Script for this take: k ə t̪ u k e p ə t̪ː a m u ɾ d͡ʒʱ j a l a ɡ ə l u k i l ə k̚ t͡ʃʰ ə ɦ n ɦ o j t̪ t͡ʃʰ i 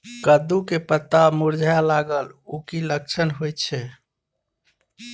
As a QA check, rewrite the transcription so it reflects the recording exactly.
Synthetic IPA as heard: k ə d̪ u k e p ə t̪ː a m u ɾ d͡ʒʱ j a l a ɡ ə l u k i l ə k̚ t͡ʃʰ ə n ɦ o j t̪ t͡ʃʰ ɛ